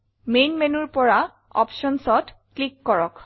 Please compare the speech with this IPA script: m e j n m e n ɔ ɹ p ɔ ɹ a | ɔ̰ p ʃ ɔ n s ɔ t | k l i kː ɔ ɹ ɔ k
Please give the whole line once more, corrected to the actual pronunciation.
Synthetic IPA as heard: m e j n m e n u ɹ p ɔ ɹ a | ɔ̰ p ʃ ɔ n s ɔ t | k l i kː ɔ ɹ ɔ k

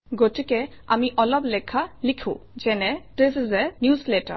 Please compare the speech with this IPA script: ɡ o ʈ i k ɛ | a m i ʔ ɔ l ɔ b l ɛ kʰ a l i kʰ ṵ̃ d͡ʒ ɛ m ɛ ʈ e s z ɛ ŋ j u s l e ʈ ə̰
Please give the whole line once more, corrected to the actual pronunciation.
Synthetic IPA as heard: ɡ o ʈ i k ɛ | a m i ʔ ɔ l ɔ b l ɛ kʰ a l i kʰ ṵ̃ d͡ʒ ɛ n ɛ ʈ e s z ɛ n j u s l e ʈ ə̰

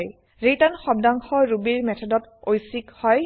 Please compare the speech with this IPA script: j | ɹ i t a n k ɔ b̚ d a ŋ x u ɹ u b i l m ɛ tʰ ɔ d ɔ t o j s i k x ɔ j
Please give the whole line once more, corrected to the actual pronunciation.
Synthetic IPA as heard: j | ɹ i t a n x ɔ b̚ d a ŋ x ɔ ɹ u b i ɹ m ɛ tʰ ɔ d ɔ t o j s i k h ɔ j

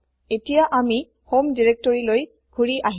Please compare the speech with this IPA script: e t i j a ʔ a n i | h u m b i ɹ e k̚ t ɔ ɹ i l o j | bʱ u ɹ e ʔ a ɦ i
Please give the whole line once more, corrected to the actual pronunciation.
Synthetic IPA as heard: e t i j a ʔ a m i | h o m d i ɹ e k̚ t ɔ ɹ i l o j | ɡʱ u ɹ i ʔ a ɦ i

